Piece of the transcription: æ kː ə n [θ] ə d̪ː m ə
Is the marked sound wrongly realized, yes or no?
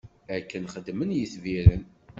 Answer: yes